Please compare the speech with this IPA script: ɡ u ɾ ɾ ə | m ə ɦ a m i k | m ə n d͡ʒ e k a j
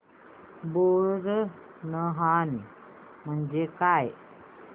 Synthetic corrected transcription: b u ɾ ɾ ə | n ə ɦ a n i | m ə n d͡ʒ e k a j